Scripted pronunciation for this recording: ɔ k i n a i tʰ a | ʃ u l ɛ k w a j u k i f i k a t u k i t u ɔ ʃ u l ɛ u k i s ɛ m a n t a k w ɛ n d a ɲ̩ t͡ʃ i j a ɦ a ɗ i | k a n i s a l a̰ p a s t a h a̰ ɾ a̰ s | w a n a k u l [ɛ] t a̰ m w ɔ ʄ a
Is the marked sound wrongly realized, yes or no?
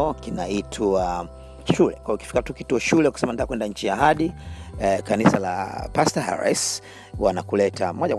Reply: no